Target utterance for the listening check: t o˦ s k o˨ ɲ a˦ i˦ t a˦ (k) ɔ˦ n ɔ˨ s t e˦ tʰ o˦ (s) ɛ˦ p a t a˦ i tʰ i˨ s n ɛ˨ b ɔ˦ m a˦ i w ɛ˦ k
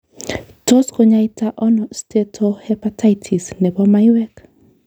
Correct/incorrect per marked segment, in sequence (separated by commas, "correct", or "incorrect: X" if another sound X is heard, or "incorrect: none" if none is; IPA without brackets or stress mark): incorrect: ʔ, incorrect: h